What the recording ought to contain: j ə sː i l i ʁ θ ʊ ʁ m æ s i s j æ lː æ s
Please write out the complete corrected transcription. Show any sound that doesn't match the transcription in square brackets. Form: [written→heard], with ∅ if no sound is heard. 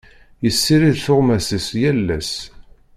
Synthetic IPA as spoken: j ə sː i [l→ɾ] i [ʁ→ð] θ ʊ ʁ m æ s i s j æ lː æ s

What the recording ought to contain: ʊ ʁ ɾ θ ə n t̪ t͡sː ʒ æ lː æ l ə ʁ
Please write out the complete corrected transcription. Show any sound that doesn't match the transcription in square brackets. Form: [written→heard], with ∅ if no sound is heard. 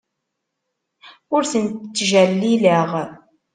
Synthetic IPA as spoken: ʊ [ʁ→∅] ɾ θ ə n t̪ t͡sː ʒ æ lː [æ→i] l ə ʁ

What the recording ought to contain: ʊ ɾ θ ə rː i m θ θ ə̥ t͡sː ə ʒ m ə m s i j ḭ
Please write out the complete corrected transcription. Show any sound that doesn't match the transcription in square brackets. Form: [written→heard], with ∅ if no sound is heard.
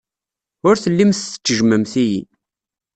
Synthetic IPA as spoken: ʊ ɾ θ ə [rː→lː] i m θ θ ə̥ t͡sː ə ʒ m ə m [s→θ] i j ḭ

